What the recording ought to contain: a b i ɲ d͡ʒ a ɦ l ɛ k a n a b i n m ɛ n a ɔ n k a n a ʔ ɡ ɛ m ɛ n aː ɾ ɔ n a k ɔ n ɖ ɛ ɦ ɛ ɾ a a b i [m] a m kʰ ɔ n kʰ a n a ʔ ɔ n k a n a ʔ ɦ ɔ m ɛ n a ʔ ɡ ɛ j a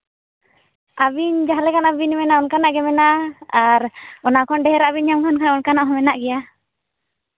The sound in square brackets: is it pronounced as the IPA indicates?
no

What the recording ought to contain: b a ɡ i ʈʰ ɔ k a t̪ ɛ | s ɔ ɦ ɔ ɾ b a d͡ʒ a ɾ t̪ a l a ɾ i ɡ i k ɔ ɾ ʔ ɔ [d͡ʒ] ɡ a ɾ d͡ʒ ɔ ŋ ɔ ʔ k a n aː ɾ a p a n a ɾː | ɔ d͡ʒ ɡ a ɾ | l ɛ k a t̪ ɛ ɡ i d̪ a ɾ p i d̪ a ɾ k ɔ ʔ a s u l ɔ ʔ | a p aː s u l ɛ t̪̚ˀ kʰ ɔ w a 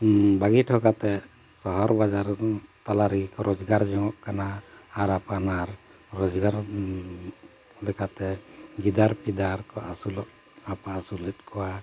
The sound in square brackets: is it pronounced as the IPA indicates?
yes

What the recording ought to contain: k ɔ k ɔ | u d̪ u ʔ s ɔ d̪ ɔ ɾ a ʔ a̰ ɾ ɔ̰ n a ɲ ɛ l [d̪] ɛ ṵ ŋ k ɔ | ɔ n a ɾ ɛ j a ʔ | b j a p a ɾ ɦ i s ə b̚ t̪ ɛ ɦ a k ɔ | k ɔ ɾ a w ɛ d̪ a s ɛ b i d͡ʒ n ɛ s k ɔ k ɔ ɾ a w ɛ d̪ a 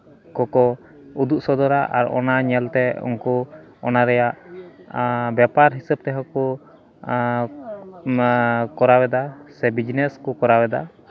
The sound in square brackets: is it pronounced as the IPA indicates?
no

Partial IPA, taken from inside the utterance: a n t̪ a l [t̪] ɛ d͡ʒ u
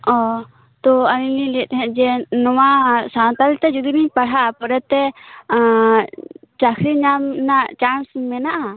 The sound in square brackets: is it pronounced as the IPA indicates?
yes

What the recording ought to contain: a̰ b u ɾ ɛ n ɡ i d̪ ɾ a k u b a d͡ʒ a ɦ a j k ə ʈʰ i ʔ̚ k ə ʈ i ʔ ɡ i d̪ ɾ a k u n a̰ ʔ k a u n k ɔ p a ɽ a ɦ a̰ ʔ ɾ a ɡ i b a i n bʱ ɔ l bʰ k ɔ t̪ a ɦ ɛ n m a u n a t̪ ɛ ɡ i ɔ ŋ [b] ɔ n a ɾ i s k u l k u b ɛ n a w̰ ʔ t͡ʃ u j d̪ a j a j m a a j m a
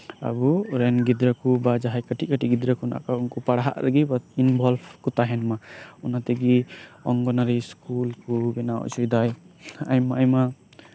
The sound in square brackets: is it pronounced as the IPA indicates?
no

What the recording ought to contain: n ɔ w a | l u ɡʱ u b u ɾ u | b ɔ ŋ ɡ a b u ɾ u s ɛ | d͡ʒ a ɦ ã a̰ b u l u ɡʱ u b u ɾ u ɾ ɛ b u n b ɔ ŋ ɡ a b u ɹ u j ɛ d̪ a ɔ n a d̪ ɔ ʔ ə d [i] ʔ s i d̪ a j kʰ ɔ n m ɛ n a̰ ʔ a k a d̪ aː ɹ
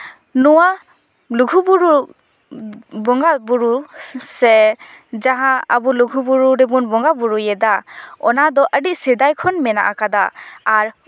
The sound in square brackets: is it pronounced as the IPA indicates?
yes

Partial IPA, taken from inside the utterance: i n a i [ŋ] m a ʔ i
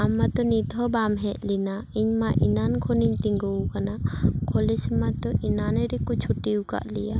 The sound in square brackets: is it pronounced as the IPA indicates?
no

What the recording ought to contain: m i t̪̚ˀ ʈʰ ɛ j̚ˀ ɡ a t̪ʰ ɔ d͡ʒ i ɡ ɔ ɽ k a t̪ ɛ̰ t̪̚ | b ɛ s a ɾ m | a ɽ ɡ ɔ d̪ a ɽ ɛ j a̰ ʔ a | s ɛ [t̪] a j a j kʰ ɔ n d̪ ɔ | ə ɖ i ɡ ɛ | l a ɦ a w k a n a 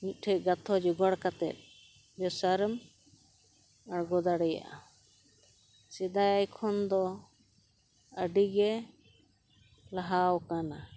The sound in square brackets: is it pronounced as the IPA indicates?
no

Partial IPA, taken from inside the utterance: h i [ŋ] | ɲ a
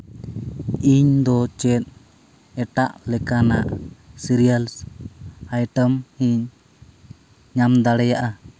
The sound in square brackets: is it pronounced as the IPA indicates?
no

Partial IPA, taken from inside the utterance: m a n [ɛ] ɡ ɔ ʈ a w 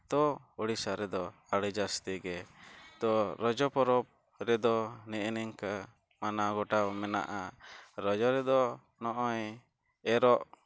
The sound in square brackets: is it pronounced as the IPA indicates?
no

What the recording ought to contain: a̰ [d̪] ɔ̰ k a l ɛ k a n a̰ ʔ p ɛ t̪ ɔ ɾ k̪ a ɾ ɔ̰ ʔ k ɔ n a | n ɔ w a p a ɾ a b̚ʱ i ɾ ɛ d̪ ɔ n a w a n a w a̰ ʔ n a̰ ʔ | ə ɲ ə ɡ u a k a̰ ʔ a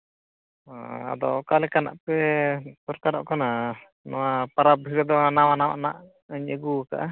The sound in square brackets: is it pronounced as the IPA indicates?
yes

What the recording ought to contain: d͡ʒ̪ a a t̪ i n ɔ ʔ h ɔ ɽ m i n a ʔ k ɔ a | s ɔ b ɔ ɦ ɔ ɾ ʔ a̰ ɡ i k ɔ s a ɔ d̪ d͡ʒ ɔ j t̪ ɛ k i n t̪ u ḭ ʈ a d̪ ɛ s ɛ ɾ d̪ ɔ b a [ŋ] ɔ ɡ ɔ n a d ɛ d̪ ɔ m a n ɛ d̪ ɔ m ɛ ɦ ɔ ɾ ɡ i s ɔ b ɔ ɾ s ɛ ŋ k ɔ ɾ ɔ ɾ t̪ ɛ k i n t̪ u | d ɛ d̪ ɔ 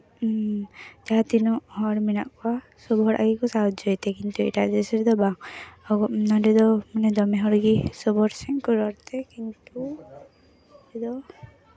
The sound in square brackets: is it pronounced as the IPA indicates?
yes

